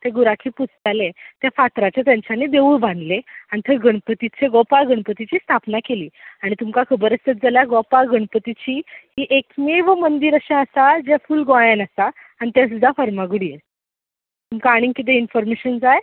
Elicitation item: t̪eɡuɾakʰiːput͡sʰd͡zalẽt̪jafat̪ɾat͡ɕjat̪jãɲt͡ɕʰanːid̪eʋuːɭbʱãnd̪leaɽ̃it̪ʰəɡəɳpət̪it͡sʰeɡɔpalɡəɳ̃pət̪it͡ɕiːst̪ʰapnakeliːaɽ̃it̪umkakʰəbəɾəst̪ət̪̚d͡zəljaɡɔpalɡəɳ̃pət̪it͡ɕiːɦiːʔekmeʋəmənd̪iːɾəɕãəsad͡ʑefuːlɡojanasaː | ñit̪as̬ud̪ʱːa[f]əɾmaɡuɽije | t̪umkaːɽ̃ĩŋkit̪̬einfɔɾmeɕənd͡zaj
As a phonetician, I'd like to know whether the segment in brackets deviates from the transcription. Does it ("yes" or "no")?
no